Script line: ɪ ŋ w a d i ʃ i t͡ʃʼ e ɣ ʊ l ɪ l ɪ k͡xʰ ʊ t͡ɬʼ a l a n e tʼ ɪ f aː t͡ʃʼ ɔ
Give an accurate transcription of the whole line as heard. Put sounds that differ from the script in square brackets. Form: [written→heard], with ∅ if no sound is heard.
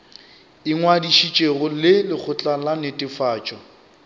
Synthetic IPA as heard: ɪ ŋ w a d i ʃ i t͡ʃʼ e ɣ ʊ l ɪ l ɪ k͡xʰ ʊ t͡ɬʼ a l a n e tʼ ɪ f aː t͡ʃʼ ɔ